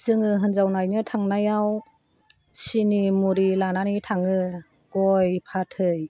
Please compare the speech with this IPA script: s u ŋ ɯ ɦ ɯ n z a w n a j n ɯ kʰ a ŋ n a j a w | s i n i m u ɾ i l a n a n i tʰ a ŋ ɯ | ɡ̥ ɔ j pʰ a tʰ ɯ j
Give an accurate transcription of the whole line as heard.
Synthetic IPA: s ɯ ŋ ɯ ɦ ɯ n z a w n a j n ɯ tʰ a ŋ n a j a w | s i n i m u ɾ i l a n a n i tʰ a ŋ ɯ | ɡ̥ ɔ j pʰ a tʰ ɯ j